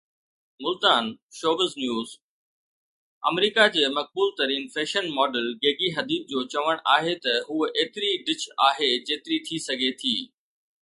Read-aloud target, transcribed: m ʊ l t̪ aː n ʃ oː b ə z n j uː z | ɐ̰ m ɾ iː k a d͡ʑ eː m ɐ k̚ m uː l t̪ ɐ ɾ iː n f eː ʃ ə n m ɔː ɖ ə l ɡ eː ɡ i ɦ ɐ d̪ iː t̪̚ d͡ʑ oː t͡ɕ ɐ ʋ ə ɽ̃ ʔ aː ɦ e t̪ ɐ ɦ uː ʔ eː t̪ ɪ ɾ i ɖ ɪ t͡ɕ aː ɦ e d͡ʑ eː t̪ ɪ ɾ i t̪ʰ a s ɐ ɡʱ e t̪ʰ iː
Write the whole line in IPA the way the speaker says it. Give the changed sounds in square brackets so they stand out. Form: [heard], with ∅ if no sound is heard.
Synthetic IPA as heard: m ʊ l t̪ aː n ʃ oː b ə z n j uː z | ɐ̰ m ɾ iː k a d͡ʑ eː m ɐ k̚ [b] uː l t̪ ɐ ɾ iː n f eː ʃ ə n m ɔː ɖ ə l ɡ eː ɡ i ɦ ɐ d̪ iː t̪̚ d͡ʑ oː t͡ɕ ɐ ʋ ə ɽ̃ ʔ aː ɦ e t̪ ɐ ɦ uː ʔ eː t̪ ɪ ɾ i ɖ ɪ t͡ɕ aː ɦ e d͡ʑ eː t̪ ɪ ɾ i t̪ʰ [i] s ɐ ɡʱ e t̪ʰ iː